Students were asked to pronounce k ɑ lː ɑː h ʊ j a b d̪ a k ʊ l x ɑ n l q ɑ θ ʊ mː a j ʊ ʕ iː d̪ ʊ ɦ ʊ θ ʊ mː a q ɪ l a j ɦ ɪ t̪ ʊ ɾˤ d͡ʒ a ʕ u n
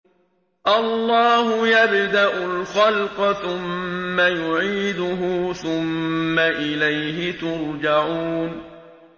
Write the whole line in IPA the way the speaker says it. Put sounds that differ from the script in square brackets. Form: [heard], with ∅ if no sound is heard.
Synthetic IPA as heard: [ʔ] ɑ lː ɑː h ʊ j a b d̪ a [ʔ] ʊ l x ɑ [∅] l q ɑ θ ʊ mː a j ʊ ʕ iː d̪ ʊ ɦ ʊ θ ʊ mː a [ʔ] ɪ l a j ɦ ɪ t̪ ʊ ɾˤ d͡ʒ a ʕ u n

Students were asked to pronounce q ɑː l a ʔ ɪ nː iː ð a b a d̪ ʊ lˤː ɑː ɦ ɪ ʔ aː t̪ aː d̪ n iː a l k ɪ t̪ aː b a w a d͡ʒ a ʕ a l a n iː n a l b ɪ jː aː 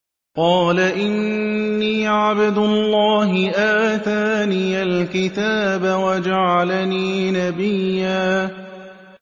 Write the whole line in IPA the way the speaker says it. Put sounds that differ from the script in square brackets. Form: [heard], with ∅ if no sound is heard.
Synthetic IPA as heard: q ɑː l a ʔ ɪ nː iː [ʕ] a b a d̪ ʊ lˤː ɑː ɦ ɪ ʔ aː t̪ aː [∅] n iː a l k ɪ t̪ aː b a w a d͡ʒ a ʕ a l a n iː n a [∅] b ɪ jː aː

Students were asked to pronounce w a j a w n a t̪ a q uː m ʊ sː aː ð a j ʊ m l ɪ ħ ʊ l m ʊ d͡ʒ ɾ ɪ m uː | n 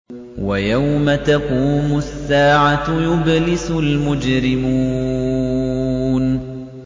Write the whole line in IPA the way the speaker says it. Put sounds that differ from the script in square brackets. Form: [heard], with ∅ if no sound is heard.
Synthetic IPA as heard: w a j a w [m] a t̪ a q uː m ʊ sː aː [ʕ] a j ʊ [b] l ɪ [s] ʊ l m ʊ d͡ʒ ɾ ɪ m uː | n

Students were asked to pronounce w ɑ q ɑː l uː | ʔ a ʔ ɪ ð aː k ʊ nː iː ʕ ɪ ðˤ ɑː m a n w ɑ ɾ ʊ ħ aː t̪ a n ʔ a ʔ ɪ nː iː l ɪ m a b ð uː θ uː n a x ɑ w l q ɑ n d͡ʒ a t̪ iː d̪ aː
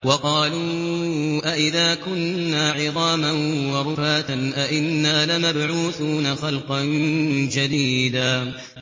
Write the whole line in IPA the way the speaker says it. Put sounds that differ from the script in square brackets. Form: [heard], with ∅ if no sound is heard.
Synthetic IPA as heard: w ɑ q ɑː l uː | ʔ a ʔ ɪ ð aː k ʊ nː [aː] ʕ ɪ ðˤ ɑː m a n w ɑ ɾ ʊ [f] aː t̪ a n ʔ a ʔ ɪ nː [aː] l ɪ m a b [ʕ] uː θ uː n a x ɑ [∅] l q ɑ n d͡ʒ a [d̪] iː d̪ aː

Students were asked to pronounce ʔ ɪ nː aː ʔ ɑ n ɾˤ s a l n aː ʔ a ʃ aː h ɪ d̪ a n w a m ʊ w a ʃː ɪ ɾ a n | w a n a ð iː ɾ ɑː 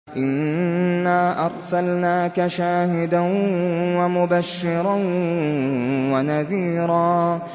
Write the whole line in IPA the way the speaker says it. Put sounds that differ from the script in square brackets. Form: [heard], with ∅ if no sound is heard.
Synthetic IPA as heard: ʔ ɪ nː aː ʔ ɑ [∅] ɾˤ s a l n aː [k] a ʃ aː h ɪ d̪ a n w a m ʊ [b] a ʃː ɪ ɾ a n | w a n a ð iː ɾ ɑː

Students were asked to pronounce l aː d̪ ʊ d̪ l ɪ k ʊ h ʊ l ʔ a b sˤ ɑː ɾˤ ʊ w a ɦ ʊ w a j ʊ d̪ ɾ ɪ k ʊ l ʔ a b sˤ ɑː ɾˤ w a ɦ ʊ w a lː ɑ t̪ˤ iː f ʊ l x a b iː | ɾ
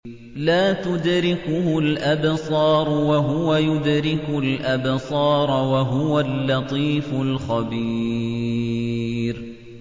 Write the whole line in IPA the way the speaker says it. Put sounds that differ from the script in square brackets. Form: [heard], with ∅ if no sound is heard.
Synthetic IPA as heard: l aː [t̪] ʊ d̪ [ɾ] ɪ k ʊ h ʊ l ʔ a b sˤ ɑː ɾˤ ʊ w a ɦ ʊ w a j ʊ d̪ ɾ ɪ k ʊ l ʔ a b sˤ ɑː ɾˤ w a ɦ ʊ w a lː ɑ t̪ˤ iː f ʊ l x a b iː | ɾ

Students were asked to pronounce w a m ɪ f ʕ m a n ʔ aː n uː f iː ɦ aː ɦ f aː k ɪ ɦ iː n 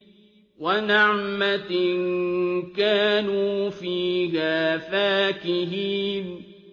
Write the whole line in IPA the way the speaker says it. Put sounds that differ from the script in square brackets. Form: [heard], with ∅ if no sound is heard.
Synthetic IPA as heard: w a [n] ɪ [∅] ʕ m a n [k] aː n uː f iː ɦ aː [∅] f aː k ɪ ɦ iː n

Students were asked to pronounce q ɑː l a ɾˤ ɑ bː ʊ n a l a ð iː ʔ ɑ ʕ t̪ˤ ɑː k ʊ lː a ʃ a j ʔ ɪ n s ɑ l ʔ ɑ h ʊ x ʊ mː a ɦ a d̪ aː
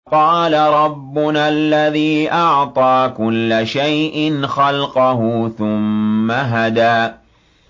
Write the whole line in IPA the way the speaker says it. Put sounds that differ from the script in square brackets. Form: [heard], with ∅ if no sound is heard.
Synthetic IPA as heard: q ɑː l a ɾˤ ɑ bː ʊ n a [lː] a ð iː ʔ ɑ ʕ t̪ˤ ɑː k ʊ lː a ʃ a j ʔ ɪ n [x] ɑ l [q] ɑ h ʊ [θ] ʊ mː a ɦ a d̪ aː

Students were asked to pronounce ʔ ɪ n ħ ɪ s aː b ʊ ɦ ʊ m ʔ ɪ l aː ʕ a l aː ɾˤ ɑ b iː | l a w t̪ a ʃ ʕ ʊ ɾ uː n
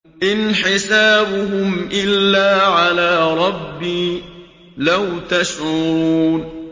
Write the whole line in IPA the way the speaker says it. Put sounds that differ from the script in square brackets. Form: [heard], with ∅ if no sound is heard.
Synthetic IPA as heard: ʔ ɪ n ħ ɪ s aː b ʊ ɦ ʊ m ʔ ɪ [lː] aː ʕ a l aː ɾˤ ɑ [bː] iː | l a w t̪ a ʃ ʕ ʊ ɾ uː n

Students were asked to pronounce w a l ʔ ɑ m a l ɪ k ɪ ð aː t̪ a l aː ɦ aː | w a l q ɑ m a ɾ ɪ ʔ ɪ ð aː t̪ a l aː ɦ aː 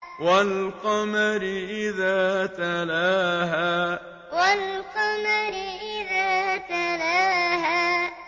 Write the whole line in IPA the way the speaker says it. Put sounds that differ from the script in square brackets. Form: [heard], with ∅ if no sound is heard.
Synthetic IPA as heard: w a l [q] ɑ m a [ɾ] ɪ [ʔ] ɪ ð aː t̪ a l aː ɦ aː | w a l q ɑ m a ɾ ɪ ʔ ɪ ð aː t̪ a l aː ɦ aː

